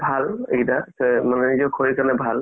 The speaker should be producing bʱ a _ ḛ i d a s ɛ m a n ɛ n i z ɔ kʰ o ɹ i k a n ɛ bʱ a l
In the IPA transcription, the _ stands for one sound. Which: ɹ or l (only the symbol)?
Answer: l